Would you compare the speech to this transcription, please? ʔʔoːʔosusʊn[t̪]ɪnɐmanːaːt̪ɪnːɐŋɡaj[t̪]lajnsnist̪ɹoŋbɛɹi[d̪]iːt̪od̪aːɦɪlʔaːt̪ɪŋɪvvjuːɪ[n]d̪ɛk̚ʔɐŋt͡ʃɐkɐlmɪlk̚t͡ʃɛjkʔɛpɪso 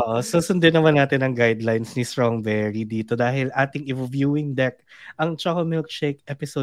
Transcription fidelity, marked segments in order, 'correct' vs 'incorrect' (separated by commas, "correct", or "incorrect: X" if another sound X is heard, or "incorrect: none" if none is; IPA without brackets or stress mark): incorrect: d̪, incorrect: d̪, correct, incorrect: ŋ